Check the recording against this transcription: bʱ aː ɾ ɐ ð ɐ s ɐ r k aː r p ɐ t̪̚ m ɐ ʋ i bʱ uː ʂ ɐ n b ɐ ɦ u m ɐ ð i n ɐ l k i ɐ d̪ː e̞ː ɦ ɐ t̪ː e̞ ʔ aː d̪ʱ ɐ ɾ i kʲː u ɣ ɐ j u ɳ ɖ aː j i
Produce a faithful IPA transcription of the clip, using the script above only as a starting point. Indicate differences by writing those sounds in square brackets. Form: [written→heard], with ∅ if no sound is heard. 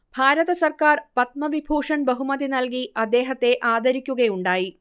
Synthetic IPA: bʱ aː ɾ ɐ ð ɐ s ɐ r k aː r p ɐ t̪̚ m ɐ ʋ i bʱ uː ʂ ɐ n b ɐ ɦ u m ɐ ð i n ɐ l k i ɐ d̪ː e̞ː ɦ ɐ t̪ː e̞ ʔ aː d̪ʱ ɐ ɾ i kʲː u ɣ ɐ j u ɳ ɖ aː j i